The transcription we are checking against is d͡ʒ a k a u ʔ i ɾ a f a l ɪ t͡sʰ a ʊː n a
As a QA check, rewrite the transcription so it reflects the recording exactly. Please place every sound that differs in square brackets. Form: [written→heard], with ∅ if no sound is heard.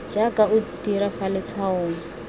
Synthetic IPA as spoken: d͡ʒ a k a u [ʔ→t] i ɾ a f a l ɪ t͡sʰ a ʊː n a

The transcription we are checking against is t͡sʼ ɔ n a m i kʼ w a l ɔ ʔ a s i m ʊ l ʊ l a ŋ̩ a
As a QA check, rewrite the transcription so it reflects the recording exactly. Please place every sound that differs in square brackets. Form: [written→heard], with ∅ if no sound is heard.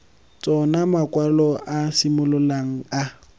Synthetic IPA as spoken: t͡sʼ ɔ n a m [i→a] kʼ w a l ɔ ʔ a s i m ʊ l ʊ l a ŋ̩ a

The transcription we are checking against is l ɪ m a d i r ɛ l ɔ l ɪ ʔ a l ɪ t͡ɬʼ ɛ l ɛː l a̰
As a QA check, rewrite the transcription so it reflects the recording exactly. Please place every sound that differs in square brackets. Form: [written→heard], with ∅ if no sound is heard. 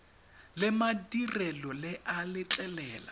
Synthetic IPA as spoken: l ɪ m a d i r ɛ l ɔ l ɪ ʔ a l ɪ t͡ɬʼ ɛ l ɛː l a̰

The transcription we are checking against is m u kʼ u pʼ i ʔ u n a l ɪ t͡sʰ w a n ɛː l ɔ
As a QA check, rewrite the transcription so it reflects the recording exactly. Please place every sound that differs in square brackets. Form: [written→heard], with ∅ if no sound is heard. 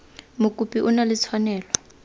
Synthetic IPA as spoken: m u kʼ u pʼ i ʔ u n a l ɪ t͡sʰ w a n ɛː l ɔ

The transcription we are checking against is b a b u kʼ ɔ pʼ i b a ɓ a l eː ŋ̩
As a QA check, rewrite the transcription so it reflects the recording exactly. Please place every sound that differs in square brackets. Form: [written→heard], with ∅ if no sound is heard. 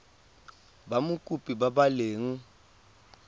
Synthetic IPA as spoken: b a [b→m] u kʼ [ɔ→u] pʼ i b a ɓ a l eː ŋ̩

